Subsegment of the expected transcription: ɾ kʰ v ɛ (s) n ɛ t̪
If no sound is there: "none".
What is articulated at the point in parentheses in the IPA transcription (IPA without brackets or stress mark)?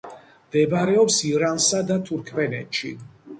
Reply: none